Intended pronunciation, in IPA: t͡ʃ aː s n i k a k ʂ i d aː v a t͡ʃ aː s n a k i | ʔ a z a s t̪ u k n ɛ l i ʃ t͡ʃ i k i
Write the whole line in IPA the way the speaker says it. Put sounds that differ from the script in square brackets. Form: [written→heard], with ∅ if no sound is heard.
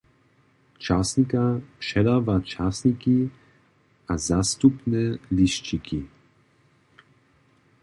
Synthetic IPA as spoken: t͡ʃ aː s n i k a [k→p] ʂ [i→ɛ] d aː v a t͡ʃ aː s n [a→i] k i | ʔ a z a s t̪ u [k→p] n ɛ l i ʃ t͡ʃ i k i